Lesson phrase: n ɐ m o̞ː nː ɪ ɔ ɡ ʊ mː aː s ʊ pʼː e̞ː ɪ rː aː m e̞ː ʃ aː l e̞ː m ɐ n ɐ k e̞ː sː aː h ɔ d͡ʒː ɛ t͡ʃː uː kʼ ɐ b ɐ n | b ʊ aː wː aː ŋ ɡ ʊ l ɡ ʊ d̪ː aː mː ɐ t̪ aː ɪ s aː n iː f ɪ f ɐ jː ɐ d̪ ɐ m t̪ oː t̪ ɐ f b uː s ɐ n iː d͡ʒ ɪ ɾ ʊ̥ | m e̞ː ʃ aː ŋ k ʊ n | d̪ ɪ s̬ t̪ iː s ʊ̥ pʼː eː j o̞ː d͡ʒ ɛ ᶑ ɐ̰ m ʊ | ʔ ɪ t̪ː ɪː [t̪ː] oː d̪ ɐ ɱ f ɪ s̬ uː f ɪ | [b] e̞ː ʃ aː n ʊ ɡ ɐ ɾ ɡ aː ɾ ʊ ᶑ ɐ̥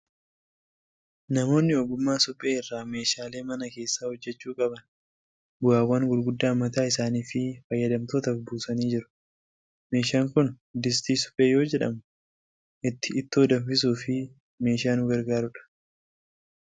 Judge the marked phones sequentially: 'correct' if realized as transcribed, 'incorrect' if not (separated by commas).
correct, incorrect